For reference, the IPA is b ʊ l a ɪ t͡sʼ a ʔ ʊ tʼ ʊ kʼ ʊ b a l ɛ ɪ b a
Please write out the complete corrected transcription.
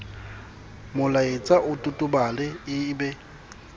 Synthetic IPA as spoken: m ʊ l a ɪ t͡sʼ a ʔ ʊ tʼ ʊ tʼ ʊ b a l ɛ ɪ b ɛ